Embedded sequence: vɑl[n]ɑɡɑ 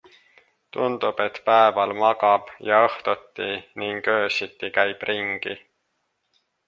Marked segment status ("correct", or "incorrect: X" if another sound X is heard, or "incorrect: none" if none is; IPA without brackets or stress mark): incorrect: m